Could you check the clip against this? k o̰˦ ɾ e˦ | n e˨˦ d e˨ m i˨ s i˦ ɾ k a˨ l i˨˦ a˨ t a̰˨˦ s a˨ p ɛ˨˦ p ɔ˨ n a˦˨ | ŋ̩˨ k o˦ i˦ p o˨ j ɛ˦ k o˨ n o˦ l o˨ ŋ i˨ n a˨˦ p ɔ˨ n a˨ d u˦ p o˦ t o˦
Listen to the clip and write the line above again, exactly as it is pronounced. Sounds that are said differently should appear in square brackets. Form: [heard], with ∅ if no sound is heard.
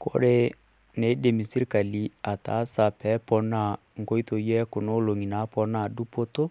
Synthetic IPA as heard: k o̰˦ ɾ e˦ | n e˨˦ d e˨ m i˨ s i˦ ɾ k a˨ l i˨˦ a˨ t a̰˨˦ s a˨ p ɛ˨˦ p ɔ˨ n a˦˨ | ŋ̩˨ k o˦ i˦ [t] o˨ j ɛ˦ k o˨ n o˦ l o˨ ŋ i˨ n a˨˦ p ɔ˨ n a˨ d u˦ p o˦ t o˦